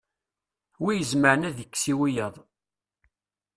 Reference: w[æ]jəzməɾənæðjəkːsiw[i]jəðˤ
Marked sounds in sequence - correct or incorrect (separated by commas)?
incorrect, correct